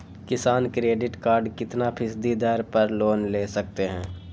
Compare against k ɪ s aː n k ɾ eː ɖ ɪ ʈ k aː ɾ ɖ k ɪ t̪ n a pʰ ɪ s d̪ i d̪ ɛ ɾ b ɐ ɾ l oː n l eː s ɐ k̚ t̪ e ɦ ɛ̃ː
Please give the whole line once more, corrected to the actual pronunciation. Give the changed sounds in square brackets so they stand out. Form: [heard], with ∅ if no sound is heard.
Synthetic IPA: k ɪ s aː n k ɾ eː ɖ ɪ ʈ k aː ɾ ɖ k ɪ t̪ n a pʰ ɪ s d̪ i d̪ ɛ ɾ [p] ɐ ɾ l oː n l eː s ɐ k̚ t̪ e ɦ ɛ̃ː